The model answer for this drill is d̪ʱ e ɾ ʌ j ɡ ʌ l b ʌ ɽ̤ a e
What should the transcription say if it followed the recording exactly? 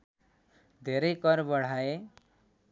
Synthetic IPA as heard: d̪ʱ e ɾ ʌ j k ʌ ɾ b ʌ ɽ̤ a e